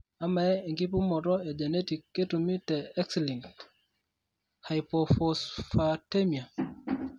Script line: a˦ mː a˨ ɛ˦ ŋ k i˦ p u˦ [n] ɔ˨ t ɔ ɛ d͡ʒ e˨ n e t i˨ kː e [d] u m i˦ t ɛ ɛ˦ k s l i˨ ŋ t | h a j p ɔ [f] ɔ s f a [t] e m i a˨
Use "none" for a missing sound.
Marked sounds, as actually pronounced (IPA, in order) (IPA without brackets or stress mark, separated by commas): m, t, f, t